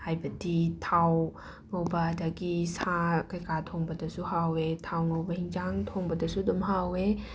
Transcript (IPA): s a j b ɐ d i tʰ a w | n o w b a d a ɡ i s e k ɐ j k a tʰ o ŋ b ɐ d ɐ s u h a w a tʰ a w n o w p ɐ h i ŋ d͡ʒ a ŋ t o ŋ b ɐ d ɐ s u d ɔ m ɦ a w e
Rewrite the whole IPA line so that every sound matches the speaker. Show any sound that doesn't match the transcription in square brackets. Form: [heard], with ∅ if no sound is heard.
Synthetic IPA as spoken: [h] a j b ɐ d i tʰ a w | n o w b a d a ɡ i s [a] k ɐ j k a tʰ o ŋ b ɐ d ɐ s u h a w [e] tʰ a w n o w [b] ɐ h i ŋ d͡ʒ a ŋ [tʰ] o ŋ b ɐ d ɐ s u d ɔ m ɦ a w e